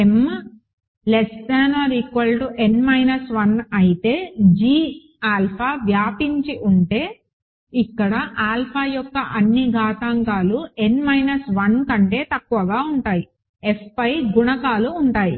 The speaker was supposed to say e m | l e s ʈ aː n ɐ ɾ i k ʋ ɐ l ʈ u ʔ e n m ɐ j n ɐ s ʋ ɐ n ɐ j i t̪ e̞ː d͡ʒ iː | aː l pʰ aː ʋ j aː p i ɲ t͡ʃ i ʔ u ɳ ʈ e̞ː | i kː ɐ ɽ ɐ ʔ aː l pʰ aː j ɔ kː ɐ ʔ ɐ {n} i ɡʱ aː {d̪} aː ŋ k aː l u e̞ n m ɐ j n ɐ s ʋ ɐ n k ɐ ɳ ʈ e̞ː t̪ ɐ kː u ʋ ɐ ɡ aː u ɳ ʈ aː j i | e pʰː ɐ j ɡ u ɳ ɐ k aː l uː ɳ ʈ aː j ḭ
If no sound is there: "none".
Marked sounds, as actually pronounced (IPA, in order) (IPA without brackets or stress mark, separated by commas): nː, t̪